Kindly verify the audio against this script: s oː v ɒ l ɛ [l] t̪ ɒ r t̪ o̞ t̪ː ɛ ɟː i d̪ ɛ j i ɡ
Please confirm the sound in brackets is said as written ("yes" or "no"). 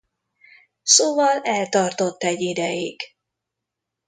yes